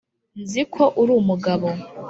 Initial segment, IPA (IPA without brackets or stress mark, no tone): n